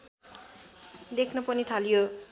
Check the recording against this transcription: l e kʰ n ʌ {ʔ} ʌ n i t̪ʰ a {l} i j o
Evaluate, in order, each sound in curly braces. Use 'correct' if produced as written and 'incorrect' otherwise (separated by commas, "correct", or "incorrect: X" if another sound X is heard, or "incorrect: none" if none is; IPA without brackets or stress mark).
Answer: incorrect: p, correct